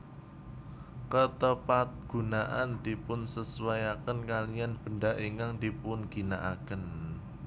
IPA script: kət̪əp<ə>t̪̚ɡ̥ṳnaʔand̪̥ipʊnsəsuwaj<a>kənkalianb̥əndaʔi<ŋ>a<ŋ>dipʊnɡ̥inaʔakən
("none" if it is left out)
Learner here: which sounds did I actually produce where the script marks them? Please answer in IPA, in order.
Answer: a, a, ŋ, ŋ

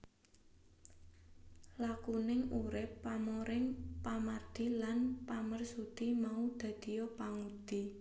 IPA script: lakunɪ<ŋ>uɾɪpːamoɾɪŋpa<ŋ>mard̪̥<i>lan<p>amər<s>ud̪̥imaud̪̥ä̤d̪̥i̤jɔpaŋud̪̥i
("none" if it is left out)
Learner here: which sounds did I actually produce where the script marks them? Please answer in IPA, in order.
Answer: ŋ, none, i, p, s

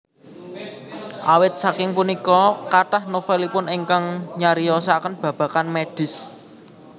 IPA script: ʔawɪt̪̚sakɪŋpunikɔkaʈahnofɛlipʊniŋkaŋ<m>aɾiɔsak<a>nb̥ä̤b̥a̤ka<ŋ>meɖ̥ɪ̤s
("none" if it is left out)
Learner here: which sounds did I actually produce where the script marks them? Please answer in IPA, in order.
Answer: ɲ, ə, n

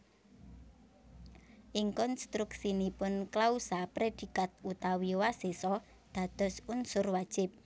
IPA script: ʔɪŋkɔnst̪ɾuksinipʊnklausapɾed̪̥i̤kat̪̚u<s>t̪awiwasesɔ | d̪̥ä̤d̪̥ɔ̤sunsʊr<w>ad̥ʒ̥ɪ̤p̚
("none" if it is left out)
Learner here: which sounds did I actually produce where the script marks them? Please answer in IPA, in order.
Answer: none, w

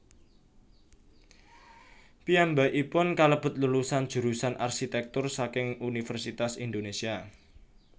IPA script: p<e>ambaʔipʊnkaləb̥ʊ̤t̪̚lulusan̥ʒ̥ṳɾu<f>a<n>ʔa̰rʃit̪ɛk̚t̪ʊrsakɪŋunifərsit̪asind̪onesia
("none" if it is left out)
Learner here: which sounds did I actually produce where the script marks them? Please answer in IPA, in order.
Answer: i, s, n

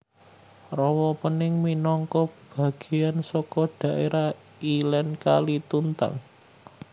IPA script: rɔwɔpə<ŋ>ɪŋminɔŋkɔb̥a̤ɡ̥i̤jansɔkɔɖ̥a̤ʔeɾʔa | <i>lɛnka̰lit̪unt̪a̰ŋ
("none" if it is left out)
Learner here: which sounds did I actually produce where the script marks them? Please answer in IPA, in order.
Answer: n, i

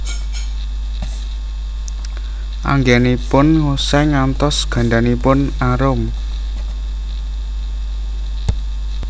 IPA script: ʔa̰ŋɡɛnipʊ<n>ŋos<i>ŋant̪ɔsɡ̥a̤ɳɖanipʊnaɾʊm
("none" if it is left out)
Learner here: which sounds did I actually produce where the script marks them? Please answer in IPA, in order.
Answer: n, ɛ

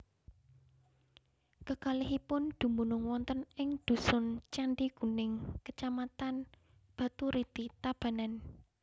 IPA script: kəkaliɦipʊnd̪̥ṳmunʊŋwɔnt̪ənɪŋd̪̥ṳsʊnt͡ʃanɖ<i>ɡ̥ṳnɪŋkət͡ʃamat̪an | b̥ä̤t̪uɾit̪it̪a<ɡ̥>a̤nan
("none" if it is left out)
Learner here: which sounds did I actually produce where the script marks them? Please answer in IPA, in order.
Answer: i, b̥

